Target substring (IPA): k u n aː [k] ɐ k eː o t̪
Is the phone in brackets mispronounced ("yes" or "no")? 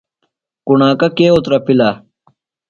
no